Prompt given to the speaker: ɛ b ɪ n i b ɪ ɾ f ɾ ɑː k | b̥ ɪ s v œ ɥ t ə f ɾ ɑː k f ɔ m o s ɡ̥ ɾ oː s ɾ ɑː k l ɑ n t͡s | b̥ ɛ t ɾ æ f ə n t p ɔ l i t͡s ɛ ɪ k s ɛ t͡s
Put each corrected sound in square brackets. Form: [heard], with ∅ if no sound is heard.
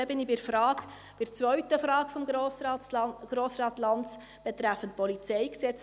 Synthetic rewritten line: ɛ b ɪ n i b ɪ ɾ f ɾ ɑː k | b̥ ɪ [t͡s] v œ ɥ t ə f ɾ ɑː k f ɔ m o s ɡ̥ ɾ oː s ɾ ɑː [t] l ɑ n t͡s | b̥ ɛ t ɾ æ f ə n t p ɔ l i t͡s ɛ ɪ k s ɛ t͡s